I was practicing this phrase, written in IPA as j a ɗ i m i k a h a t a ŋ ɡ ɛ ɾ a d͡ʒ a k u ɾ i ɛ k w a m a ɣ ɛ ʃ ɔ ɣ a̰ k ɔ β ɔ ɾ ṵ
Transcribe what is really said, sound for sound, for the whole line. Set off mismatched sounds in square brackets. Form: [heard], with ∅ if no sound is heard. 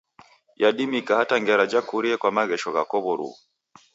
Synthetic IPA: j a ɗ i m i k a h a t a ŋ ɡ ɛ ɾ a d͡ʒ a k u ɾ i ɛ k w a m a ɣ ɛ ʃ ɔ ɣ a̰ k ɔ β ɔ ɾ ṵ